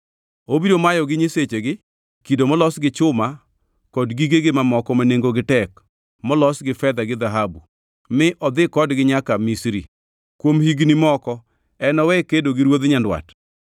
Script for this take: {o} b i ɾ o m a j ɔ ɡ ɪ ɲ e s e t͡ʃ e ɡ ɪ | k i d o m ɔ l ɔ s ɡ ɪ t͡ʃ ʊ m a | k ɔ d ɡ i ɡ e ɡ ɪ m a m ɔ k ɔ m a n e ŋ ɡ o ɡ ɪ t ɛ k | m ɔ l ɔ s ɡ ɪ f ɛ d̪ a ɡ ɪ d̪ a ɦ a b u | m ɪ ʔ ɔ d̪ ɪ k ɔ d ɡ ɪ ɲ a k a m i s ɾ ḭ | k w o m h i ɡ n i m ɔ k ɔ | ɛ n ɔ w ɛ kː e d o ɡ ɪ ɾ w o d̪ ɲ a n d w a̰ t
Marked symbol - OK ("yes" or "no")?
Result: yes